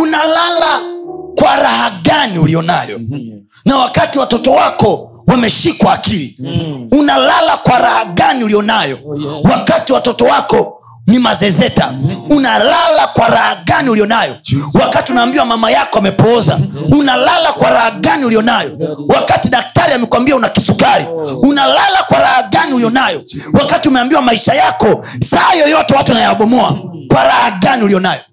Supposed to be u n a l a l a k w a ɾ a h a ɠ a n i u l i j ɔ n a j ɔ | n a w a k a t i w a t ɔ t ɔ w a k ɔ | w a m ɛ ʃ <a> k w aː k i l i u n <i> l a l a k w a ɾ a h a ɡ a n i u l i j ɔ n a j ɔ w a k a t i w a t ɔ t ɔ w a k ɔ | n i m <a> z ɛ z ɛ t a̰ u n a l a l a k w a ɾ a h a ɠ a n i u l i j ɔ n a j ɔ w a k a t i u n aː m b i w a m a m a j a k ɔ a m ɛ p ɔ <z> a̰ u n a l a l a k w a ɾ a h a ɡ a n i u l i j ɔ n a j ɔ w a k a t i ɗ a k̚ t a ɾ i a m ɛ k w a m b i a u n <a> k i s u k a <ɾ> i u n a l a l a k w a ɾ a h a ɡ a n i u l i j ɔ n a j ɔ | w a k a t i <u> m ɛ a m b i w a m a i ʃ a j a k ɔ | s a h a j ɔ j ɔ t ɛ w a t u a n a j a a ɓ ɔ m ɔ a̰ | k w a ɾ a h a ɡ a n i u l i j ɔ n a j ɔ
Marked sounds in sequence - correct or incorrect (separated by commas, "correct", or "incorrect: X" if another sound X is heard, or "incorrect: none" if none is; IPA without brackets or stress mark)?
incorrect: i, incorrect: a, correct, correct, correct, correct, correct